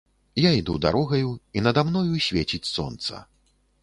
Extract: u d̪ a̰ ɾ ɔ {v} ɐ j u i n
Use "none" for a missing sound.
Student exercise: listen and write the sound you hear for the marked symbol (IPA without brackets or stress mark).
ɣ